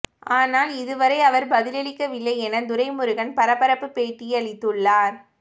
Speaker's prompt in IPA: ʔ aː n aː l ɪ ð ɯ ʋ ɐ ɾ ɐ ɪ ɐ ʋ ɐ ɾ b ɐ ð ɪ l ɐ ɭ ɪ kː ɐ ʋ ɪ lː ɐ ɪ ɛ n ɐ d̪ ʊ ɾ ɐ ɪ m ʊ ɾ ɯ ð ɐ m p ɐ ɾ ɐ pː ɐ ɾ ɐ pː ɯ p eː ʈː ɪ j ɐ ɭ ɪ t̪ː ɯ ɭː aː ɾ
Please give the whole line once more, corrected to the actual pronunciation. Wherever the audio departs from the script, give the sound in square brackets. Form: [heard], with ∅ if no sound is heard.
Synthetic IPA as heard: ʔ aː n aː l ɪ ð ɯ ʋ ɐ ɾ ɐ ɪ ɐ ʋ ɐ ɾ b ɐ ð ɪ l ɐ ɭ ɪ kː ɐ ʋ ɪ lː ɐ ɪ ɛ n ɐ d̪ ʊ ɾ ɐ ɪ m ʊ ɾ ɯ [ɣ] ɐ [n] p ɐ ɾ ɐ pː ɐ ɾ ɐ pː ɯ p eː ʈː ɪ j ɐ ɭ ɪ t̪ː ɯ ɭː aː ɾ